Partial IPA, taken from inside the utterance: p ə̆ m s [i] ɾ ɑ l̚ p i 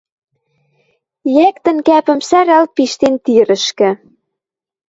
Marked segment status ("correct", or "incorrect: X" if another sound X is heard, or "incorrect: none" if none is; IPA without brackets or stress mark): incorrect: æ